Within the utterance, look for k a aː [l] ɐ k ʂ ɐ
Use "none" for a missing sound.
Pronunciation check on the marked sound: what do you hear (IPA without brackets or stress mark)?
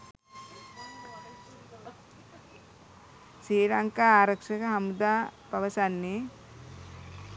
ɾ